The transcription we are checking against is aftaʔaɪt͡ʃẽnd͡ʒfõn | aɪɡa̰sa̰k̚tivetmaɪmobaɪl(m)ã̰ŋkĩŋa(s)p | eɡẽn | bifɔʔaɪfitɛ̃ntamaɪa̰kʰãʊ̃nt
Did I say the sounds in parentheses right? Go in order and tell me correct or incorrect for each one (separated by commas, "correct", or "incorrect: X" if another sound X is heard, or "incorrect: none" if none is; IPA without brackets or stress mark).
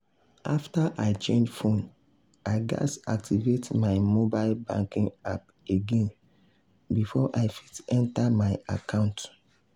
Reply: incorrect: b, incorrect: none